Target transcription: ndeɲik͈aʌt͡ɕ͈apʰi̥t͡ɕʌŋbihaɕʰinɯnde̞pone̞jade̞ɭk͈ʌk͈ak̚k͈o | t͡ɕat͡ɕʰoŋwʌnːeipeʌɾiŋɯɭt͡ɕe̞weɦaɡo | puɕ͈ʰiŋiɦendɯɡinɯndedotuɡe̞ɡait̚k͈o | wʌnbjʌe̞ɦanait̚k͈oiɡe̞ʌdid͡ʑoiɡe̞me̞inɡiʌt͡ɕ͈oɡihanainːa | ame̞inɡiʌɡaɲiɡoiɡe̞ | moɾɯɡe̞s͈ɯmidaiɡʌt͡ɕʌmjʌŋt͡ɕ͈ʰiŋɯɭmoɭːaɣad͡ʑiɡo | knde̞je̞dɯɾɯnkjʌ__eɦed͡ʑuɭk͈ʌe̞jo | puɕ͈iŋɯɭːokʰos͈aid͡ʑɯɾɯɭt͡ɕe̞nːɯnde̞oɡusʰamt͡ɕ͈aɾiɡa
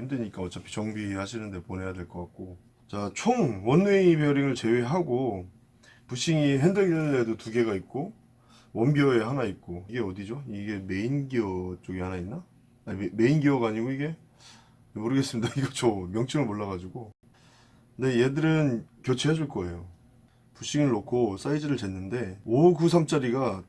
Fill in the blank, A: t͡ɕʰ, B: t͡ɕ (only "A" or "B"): A